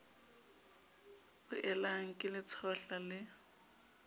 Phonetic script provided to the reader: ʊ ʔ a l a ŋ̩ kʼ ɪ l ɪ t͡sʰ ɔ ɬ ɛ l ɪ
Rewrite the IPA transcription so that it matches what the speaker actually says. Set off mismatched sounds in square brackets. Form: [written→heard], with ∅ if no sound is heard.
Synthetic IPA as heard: ʊ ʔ [a→ɛ] l a ŋ̩ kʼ ɪ l ɪ t͡sʰ ɔ ɬ [ɛ→a] l ɪ